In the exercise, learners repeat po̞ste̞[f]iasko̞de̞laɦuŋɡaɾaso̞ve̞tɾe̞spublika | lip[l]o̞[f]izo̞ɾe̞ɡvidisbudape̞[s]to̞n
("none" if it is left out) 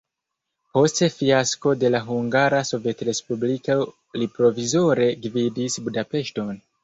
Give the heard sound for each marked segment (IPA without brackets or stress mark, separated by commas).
f, ɾ, v, ʃ